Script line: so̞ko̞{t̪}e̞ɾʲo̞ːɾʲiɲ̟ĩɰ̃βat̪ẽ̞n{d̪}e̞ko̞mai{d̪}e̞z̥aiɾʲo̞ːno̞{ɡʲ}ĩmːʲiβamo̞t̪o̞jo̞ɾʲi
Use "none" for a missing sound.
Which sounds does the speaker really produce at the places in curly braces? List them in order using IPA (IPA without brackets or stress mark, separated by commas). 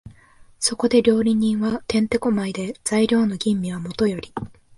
d̪, t̪, d̪, ɡʲ